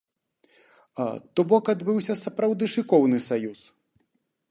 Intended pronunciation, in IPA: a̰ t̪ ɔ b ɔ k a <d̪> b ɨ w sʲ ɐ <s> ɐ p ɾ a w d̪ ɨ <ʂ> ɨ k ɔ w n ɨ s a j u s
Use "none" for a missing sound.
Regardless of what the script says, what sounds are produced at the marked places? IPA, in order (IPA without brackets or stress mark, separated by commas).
d̪, s, ʂ